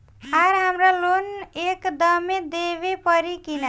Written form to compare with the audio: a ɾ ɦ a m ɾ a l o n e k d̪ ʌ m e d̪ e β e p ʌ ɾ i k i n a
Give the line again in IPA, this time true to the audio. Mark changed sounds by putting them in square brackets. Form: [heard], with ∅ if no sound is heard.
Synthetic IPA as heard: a ɾ ɦ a m ɾ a l o n e k d̪ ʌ m e d̪ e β e p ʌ ɾ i k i n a